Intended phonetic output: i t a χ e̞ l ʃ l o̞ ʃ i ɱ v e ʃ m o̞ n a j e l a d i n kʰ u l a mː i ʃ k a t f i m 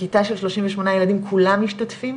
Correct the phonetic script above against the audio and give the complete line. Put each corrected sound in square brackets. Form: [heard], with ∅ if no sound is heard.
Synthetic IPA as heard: i t a [ʃ] e̞ l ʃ l o̞ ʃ i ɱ v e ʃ m o̞ n a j e l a d i [m] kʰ u l a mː i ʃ [t] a t f i m